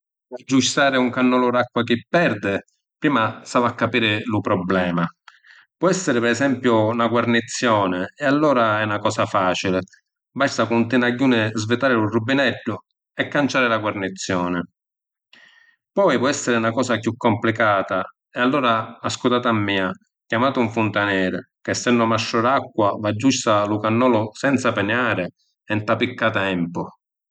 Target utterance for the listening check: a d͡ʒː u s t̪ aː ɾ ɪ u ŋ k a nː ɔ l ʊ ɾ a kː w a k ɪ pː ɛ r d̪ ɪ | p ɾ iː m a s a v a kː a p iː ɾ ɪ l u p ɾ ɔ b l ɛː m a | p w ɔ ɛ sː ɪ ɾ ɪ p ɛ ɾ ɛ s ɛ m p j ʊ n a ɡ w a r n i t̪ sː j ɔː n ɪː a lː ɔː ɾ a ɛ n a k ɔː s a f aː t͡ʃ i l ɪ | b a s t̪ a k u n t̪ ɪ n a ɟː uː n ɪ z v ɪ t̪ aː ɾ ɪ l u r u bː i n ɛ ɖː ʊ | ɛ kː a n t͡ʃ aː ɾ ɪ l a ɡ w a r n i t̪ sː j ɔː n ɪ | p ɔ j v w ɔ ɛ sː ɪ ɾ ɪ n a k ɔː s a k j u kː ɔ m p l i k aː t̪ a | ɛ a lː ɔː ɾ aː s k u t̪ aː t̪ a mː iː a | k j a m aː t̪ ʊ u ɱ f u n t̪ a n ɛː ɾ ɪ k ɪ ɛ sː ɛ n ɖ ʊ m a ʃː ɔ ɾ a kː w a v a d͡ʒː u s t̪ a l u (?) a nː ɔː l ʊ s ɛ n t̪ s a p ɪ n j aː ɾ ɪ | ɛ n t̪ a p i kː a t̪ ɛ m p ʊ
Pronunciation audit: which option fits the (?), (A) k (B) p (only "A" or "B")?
A